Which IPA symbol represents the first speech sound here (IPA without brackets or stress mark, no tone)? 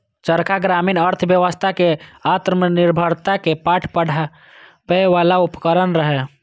t͡ʃ